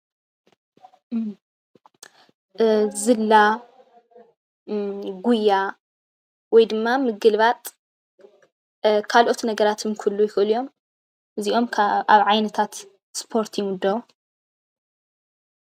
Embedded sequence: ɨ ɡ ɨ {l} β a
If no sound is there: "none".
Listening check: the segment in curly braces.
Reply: l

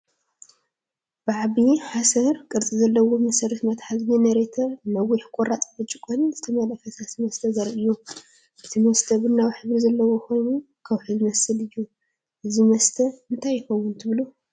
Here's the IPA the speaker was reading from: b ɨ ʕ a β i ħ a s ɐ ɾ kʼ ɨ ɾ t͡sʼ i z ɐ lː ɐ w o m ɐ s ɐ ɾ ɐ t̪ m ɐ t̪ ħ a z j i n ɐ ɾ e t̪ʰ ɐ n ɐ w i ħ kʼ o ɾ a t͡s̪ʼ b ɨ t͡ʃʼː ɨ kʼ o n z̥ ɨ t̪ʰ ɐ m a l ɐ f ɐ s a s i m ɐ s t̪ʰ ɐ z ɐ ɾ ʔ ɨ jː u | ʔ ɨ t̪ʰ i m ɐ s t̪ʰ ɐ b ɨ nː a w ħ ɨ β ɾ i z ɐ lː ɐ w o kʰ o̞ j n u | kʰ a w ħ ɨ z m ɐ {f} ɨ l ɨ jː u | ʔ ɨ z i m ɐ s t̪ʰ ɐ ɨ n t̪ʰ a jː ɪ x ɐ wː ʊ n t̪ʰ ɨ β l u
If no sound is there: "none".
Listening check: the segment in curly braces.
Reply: s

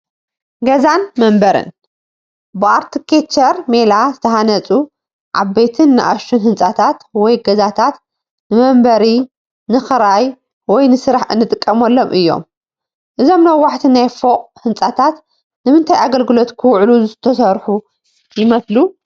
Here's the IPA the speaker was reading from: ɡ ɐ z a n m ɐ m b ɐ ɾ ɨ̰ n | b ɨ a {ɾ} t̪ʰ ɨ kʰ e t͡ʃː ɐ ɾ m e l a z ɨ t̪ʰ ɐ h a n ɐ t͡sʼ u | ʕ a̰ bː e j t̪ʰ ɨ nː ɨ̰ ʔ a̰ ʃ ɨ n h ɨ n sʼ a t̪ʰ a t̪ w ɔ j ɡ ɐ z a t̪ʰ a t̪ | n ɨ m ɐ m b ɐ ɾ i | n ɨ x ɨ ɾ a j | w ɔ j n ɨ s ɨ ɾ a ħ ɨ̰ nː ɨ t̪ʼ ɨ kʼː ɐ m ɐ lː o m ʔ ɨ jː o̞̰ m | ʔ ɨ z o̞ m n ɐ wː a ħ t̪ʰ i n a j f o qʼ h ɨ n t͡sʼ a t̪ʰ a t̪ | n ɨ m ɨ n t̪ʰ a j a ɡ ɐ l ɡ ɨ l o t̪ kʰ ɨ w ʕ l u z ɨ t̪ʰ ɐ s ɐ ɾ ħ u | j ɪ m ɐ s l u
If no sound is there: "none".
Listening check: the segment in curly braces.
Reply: ɾ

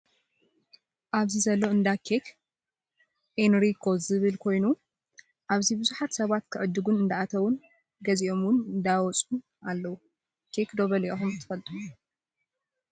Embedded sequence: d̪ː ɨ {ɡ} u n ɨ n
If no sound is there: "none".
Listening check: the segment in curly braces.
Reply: ɡ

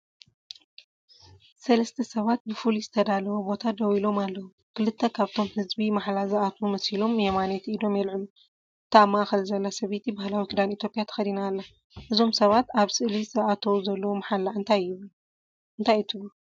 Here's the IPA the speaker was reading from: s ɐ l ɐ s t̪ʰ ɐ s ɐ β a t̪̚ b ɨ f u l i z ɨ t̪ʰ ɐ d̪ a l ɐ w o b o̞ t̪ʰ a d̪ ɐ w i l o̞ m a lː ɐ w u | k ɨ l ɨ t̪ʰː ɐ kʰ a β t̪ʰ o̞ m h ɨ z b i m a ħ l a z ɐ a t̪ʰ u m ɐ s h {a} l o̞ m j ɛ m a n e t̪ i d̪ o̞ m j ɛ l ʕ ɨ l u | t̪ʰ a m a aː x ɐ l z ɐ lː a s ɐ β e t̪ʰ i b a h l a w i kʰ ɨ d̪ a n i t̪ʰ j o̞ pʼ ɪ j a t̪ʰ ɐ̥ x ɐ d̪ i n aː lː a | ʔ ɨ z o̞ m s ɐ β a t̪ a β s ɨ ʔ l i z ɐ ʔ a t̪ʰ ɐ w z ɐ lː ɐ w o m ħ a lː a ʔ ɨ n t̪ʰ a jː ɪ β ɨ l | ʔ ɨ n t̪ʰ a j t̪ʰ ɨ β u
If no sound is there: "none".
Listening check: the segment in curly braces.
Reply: i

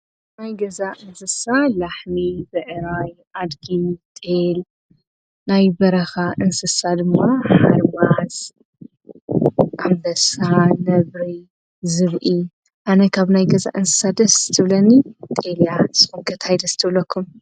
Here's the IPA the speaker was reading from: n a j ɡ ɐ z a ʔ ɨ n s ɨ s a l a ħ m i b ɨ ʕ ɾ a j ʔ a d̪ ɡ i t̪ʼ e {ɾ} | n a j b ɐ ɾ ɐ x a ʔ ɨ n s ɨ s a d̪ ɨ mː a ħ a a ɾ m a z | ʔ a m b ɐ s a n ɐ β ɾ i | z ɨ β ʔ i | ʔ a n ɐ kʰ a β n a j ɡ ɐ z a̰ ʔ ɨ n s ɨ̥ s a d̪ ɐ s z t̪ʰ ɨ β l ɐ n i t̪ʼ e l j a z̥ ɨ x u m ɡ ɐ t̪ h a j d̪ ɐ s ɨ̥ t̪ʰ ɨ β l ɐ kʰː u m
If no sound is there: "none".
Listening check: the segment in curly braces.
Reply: l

